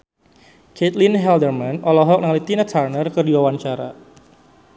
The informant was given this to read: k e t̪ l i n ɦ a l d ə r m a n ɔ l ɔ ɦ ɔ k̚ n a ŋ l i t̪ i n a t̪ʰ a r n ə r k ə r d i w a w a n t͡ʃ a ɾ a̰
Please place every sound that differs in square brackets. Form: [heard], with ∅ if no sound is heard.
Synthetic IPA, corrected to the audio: k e t̪ l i n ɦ [ɛ] l d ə r m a n ɔ l ɔ ɦ ɔ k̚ n a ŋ l i t̪ i n a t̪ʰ a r n ə r k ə r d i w a w a n t͡ʃ a ɾ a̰